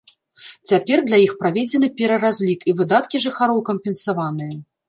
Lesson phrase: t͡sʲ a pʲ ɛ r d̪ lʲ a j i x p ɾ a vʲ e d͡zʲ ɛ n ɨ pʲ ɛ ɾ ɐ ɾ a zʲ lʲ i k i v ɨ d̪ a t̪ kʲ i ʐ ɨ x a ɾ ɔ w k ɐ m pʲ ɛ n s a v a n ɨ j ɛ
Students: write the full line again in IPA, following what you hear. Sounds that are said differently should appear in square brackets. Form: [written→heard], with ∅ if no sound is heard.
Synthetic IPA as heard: t͡sʲ a pʲ ɛ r d̪ lʲ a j i x p ɾ a vʲ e d͡zʲ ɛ n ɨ pʲ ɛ ɾ ɐ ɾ a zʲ lʲ i k i v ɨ d̪ a t̪ kʲ i ʐ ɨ x a ɾ ɔ w k ɐ m pʲ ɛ n s a v a n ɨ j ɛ